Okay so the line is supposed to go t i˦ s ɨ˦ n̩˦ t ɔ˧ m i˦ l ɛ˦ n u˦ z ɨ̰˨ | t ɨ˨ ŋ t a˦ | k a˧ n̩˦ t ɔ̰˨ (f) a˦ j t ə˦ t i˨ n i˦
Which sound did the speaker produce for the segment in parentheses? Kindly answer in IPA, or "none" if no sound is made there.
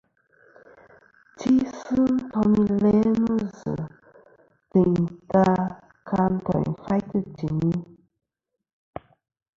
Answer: f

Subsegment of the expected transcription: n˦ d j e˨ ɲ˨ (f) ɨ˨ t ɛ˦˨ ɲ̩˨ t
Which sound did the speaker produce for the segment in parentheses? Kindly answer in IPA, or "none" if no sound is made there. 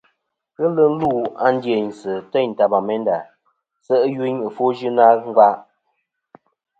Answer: s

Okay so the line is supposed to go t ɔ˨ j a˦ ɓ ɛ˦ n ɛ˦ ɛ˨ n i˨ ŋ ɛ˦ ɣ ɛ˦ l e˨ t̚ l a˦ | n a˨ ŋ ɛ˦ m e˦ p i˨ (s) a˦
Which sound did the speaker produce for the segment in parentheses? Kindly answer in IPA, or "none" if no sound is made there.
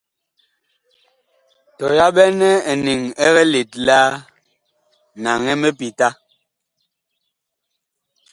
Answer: t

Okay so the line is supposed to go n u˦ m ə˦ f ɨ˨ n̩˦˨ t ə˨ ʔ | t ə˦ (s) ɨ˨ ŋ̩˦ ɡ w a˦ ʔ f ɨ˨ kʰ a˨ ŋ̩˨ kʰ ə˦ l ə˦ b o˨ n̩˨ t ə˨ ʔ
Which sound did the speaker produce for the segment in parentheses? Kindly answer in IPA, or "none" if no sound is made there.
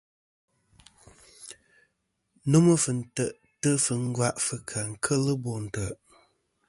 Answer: f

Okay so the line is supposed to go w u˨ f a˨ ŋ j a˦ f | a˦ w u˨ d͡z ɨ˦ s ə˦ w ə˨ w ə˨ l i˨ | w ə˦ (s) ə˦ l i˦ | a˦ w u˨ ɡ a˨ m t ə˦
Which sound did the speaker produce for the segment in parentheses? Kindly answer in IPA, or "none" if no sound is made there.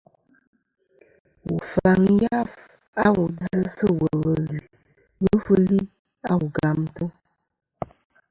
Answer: f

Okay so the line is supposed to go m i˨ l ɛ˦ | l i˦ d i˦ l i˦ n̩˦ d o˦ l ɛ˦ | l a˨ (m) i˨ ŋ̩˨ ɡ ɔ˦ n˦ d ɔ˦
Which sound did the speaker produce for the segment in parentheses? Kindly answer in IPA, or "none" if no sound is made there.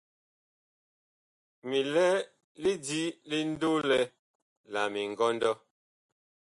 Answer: m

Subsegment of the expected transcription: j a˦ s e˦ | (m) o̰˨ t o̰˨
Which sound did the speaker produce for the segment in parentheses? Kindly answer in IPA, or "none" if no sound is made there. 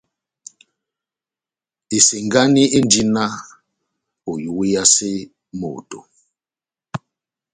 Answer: m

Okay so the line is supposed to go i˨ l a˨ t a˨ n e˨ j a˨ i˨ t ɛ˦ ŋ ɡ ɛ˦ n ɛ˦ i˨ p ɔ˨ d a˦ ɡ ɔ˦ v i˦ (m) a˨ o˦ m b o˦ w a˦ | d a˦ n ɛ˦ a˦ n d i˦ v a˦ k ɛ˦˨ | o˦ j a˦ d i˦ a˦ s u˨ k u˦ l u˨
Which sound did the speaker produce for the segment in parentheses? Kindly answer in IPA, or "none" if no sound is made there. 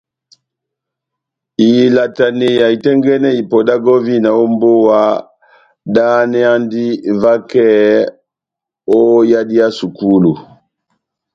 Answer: n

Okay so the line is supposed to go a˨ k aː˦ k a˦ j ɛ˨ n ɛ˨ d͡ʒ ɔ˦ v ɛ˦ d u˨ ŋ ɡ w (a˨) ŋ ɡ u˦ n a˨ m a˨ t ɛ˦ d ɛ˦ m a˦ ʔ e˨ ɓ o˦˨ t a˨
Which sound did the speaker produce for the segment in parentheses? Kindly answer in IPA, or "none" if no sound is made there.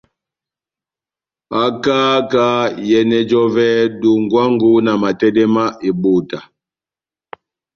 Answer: a˦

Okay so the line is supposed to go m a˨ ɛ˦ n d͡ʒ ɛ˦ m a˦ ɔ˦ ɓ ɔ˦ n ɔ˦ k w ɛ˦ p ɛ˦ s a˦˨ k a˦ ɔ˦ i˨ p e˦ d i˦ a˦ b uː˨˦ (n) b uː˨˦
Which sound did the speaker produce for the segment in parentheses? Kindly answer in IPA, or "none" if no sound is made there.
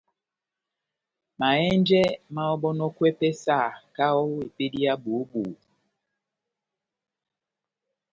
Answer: none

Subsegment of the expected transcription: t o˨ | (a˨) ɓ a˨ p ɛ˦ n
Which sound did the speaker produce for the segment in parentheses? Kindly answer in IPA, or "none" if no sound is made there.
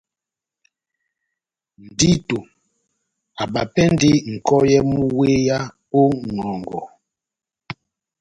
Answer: a˨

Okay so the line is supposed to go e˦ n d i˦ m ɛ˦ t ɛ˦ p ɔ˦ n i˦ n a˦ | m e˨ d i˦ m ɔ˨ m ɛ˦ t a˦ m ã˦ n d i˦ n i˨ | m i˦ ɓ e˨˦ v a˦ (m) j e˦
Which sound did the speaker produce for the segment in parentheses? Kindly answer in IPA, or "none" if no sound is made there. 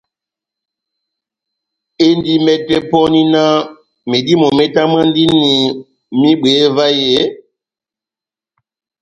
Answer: none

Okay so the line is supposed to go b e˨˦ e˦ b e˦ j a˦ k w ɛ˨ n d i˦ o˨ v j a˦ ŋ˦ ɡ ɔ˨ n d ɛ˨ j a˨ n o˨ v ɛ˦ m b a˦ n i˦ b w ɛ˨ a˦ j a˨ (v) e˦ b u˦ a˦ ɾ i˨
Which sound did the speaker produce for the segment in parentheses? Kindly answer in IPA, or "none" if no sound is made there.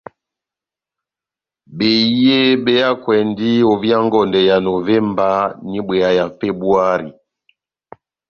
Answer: f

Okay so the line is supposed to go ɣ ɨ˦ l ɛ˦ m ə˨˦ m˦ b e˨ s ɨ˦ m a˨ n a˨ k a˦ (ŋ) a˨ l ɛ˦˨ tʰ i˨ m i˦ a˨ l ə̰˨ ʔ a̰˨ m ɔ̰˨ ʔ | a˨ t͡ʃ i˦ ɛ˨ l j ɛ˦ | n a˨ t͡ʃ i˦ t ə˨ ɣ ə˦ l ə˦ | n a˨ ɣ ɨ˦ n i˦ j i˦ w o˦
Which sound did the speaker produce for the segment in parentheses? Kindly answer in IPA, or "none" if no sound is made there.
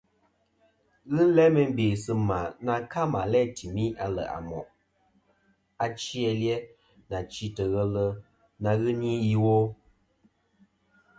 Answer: m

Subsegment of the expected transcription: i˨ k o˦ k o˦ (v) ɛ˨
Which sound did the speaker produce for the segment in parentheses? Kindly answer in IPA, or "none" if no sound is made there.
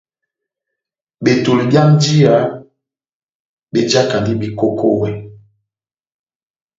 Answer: w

